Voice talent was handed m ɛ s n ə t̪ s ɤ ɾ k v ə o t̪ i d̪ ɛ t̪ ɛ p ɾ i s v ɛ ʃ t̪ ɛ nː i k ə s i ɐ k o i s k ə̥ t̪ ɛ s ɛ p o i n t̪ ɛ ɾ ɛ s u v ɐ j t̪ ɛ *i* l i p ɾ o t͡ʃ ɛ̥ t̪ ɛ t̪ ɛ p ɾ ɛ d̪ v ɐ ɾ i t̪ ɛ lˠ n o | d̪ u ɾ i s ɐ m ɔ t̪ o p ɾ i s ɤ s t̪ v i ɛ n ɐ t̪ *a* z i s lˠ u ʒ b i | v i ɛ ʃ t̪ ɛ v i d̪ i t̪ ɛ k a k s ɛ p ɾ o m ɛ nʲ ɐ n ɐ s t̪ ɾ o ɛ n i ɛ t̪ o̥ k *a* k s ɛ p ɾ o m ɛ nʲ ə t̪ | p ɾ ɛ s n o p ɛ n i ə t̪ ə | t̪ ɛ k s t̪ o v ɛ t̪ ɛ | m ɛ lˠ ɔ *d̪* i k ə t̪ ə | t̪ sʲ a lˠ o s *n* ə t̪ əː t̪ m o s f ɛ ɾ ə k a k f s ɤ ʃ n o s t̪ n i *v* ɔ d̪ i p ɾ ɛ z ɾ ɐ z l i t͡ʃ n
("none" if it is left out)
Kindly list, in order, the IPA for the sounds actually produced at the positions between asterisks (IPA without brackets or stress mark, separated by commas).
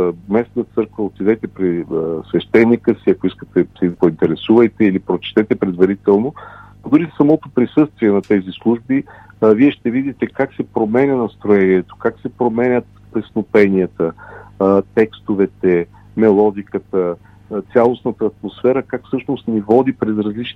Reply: i, ɛ, a, d̪, n, v